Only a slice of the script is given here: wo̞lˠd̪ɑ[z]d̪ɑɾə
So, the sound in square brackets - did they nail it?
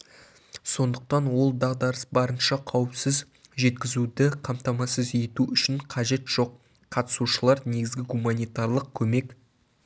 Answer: no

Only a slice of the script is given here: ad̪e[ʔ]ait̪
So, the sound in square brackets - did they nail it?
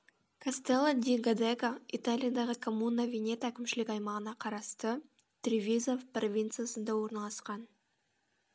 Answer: no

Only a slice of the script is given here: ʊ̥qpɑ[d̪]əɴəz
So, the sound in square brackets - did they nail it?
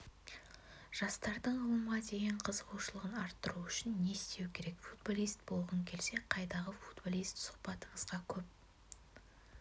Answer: no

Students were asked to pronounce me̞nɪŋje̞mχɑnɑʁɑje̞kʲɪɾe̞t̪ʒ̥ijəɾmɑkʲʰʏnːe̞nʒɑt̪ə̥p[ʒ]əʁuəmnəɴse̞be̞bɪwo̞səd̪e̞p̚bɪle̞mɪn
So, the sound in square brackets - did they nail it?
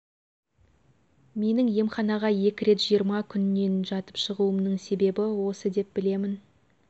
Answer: no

